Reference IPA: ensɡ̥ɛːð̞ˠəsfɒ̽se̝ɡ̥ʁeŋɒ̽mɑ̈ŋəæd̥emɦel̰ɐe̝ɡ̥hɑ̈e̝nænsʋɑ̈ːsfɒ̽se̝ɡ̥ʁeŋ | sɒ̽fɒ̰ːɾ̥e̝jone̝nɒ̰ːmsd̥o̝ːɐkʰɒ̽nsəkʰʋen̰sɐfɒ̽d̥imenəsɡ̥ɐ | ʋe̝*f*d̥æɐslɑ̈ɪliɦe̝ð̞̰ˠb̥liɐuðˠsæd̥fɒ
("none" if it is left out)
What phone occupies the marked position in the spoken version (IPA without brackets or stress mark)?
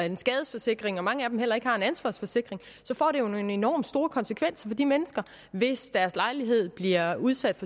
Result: s